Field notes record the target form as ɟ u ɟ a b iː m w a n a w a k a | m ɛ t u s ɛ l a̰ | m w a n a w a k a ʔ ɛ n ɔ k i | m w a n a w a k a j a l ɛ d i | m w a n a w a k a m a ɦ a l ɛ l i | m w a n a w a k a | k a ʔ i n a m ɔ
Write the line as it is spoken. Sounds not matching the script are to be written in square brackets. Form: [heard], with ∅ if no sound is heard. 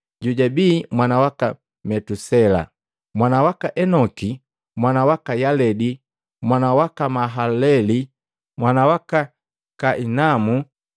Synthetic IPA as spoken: ɟ u ɟ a b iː m w a n a w a k a | m ɛ t u s ɛ l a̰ | m w a n a w a k a ʔ ɛ n ɔ k i | m w a n a w a k a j a l ɛ d i | m w a n a w a k a m a ɦ a l ɛ l i | m w a n a w a k a | k a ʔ i n a m [u]